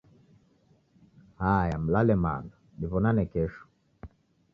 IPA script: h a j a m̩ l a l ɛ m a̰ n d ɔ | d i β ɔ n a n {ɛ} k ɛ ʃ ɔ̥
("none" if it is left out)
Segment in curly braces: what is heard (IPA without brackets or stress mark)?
ɛ